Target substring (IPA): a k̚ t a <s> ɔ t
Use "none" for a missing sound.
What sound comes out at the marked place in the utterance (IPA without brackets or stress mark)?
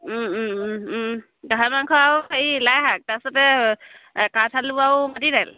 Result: s